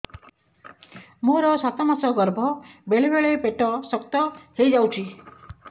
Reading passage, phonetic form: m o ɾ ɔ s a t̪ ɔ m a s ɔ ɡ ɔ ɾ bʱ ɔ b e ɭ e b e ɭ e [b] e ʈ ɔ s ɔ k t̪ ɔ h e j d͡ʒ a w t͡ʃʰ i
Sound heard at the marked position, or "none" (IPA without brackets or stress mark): p